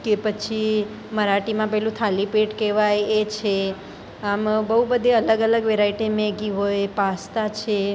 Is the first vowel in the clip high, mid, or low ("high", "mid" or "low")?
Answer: mid